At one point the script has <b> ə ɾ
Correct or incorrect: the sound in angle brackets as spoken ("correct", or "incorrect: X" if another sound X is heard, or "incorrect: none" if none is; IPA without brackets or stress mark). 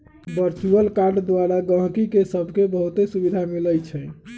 correct